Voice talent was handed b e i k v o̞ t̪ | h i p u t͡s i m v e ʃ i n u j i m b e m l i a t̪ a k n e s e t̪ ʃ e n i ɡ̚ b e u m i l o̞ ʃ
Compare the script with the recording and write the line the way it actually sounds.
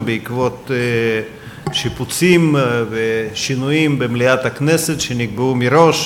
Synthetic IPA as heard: b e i k v o̞ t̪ | ʃ i p u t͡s i m v e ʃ i n u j i m b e m l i a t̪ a k n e s e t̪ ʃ e n i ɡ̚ b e u m i ɾ o̞ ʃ